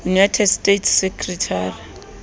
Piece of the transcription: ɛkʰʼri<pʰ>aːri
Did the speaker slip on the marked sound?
yes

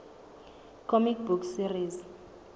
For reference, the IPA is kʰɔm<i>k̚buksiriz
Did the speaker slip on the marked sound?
no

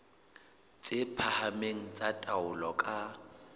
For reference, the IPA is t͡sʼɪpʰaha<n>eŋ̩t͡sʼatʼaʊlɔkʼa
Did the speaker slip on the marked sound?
yes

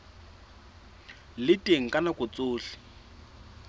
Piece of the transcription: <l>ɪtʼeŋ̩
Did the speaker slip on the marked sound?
no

